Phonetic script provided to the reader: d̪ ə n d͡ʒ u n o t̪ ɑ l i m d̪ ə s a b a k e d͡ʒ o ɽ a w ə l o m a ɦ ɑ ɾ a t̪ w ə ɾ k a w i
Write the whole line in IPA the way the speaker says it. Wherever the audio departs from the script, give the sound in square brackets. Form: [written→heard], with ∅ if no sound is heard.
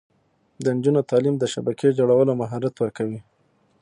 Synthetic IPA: d̪ ə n d͡ʒ u n o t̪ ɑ l i m d̪ ə [s→ʃ] a b a k e d͡ʒ o ɽ a w ə l o m a ɦ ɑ ɾ a t̪ w ə ɾ k a w i